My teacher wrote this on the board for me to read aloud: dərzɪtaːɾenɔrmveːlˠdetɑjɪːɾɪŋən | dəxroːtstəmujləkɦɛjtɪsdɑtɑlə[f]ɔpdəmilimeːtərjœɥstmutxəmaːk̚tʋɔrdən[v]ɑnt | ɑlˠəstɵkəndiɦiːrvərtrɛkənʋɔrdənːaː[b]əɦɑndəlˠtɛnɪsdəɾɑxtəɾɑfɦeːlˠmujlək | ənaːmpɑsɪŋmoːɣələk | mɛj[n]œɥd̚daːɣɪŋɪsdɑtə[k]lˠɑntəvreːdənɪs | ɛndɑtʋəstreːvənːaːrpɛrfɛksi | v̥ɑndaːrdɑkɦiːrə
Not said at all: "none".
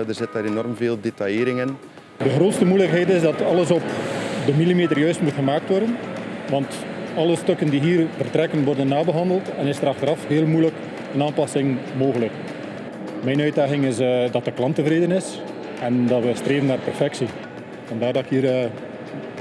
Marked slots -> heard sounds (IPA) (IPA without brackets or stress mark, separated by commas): s, ʋ, b, n, k